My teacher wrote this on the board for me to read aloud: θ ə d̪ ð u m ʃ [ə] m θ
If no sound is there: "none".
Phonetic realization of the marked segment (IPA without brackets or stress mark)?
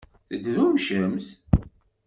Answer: ə